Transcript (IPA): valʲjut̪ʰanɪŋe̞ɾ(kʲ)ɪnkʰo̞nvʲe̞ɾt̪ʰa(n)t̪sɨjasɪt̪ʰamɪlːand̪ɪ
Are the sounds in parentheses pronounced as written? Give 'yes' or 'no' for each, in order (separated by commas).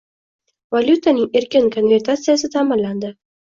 yes, no